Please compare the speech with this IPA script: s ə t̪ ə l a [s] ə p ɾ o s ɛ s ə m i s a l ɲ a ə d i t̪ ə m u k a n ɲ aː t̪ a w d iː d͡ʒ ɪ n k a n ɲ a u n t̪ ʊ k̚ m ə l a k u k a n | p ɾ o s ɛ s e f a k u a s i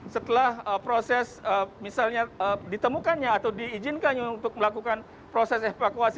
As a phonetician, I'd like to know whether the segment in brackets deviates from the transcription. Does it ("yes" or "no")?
yes